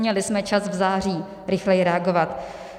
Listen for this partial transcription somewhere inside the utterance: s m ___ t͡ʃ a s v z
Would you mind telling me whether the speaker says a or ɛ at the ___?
ɛ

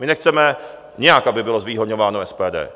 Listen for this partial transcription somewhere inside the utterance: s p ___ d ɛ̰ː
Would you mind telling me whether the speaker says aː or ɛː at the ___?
ɛː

